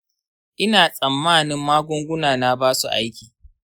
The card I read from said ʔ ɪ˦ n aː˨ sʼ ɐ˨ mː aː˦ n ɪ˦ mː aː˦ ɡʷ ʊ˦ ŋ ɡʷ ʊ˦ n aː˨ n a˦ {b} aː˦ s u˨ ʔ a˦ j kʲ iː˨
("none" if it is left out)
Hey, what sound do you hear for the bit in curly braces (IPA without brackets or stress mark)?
b